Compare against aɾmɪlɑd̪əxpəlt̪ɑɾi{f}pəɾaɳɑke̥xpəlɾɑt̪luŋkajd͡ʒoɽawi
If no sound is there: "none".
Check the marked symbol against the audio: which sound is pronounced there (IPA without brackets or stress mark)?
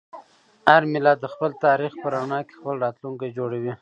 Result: x